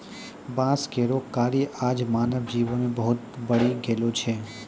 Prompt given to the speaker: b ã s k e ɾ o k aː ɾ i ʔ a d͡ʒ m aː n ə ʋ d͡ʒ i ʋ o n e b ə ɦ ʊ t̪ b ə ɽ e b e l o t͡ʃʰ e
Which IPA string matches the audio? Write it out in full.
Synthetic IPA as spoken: b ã s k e ɾ o k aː ɾ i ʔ a d͡ʒ m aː n ə ʋ d͡ʒ i ʋ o n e b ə ɦ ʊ t̪ b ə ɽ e ɡ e l o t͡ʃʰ e